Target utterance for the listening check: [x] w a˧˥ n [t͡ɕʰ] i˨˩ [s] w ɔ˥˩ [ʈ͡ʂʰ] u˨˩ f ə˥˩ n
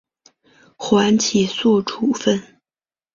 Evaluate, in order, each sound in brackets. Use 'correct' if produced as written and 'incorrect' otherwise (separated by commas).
correct, correct, correct, correct